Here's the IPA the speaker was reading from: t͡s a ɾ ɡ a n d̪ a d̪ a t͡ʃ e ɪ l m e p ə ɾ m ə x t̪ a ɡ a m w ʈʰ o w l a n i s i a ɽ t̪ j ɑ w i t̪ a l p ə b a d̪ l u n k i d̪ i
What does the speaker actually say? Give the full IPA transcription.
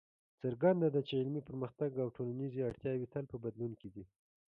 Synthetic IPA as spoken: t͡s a ɾ ɡ a n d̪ a d̪ a t͡ʃ e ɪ l m i p ə ɾ m ə x t̪ a ɡ a w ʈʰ o l a n i z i a ɽ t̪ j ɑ w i t̪ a l p ə b a d̪ l u n k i d̪ i